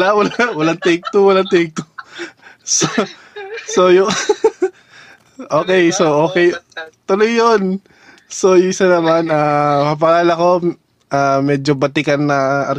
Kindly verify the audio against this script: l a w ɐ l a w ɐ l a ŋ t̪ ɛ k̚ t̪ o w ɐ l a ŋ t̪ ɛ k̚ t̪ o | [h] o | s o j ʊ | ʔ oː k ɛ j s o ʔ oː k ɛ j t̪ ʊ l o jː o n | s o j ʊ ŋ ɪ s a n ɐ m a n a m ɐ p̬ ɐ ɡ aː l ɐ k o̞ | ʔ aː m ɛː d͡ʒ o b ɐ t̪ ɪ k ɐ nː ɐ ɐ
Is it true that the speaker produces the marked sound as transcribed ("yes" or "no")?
no